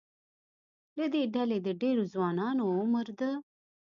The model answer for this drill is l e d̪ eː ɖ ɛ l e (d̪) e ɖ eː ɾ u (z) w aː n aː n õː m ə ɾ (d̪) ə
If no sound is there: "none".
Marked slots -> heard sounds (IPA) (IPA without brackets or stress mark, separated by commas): d̪, z, d̪